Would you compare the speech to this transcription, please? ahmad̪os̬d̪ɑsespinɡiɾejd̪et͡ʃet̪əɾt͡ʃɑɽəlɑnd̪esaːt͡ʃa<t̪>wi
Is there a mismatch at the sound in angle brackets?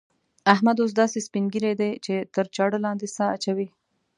yes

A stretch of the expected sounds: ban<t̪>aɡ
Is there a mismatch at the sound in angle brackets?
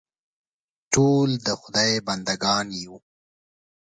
yes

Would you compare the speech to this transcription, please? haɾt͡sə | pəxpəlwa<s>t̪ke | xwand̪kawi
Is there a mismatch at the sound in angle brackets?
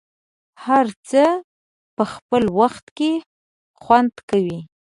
yes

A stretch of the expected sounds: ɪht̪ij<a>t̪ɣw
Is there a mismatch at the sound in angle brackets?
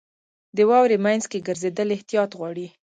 yes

